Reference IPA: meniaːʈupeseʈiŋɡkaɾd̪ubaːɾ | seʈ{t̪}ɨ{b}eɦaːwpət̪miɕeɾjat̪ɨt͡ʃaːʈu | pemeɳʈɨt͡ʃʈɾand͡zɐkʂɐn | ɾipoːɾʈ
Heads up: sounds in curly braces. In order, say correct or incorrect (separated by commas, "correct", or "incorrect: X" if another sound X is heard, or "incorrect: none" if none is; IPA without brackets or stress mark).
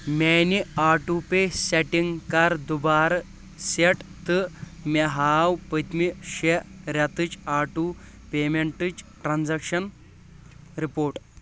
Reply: correct, incorrect: m